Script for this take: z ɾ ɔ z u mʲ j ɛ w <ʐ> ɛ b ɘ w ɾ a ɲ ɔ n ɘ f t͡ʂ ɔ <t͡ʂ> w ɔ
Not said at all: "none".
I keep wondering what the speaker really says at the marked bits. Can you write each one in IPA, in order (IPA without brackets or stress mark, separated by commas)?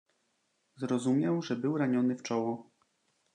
ʐ, none